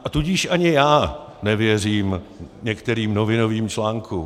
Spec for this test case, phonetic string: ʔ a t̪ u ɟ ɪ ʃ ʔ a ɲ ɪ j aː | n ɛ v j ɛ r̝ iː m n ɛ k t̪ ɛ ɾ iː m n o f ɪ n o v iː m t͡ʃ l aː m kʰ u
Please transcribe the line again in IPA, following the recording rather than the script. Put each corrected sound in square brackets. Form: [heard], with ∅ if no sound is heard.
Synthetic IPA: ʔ a t̪ u ɟ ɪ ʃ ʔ a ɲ ɪ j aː | n ɛ v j ɛ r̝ iː m [ɲ] ɛ k t̪ ɛ ɾ iː m n o [v] ɪ n o v iː m t͡ʃ l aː [ŋ] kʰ u